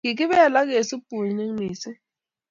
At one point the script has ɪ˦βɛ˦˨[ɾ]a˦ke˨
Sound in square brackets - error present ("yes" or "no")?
yes